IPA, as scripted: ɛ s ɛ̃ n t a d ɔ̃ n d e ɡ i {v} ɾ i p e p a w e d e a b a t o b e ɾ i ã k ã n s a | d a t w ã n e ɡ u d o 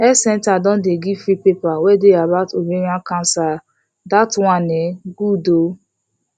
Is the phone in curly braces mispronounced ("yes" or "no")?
yes